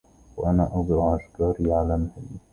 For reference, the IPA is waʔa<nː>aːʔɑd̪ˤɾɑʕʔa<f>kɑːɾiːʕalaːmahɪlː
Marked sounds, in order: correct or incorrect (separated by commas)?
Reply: incorrect, incorrect